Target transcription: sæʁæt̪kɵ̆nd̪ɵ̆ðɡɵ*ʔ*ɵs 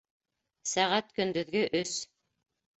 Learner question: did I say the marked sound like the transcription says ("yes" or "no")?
yes